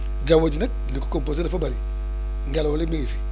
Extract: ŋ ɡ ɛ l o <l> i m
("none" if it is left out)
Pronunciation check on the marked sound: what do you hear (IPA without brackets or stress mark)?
l